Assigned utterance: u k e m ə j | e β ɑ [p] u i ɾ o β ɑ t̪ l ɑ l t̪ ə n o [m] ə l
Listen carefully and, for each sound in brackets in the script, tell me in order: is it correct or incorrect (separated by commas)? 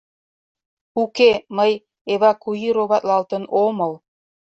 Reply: incorrect, correct